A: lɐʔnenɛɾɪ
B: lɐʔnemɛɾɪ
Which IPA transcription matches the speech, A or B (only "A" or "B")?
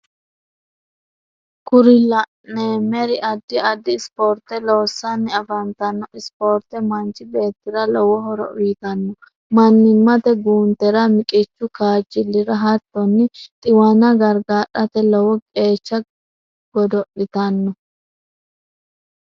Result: B